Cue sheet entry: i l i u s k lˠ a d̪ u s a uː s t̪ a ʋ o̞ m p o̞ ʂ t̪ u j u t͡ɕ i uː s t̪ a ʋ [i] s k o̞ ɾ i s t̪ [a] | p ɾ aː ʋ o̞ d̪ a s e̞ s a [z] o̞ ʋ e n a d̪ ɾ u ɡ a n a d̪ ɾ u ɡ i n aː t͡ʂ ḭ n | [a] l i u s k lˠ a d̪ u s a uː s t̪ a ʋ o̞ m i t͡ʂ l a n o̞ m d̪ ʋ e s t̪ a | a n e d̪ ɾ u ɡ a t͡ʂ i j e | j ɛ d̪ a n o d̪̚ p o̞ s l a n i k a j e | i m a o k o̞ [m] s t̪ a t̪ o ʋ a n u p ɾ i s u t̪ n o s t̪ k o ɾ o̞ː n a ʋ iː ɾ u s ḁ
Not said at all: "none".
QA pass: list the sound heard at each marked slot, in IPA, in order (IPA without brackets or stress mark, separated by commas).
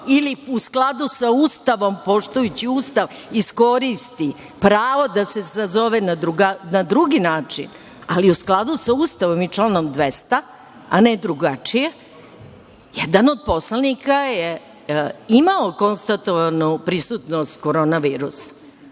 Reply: i, i, z, a, n